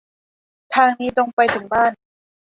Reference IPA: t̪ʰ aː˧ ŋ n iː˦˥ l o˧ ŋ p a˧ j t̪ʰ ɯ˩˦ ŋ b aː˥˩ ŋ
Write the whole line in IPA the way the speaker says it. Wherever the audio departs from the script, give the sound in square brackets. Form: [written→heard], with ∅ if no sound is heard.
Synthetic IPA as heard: t̪ʰ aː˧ ŋ n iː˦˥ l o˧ ŋ p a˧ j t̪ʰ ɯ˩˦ ŋ b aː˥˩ [ŋ→n]